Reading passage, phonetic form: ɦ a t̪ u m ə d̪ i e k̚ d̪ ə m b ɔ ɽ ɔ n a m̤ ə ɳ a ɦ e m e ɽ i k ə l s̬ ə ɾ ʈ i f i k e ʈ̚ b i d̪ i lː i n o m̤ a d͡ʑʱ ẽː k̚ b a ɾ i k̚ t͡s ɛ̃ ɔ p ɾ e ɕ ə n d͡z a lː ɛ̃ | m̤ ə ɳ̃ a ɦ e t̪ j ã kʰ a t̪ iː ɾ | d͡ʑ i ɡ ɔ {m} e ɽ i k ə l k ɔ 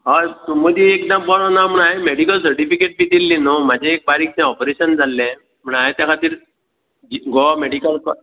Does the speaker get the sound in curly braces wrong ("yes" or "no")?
no